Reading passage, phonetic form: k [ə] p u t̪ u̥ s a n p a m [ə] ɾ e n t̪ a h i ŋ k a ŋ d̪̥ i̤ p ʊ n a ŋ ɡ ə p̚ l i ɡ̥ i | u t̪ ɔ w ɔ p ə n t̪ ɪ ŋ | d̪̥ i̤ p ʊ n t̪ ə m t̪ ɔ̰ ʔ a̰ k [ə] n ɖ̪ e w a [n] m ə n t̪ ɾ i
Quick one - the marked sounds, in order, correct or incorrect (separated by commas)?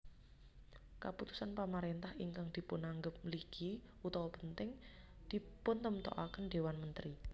incorrect, incorrect, correct, correct